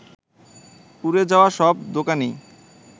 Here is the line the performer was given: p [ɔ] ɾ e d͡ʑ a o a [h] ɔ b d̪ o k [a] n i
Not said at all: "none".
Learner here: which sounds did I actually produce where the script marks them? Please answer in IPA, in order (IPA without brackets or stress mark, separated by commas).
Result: u, ʃ, a